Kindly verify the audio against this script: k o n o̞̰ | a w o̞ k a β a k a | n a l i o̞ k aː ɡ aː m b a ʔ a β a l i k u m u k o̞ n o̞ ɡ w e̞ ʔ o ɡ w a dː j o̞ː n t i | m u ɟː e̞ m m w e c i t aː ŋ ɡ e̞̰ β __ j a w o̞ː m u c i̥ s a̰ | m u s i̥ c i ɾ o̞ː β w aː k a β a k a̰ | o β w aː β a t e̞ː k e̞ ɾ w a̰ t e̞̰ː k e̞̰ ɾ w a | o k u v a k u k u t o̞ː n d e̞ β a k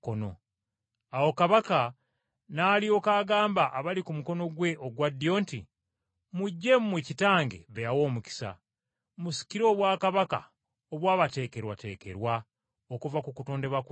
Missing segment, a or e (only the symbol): e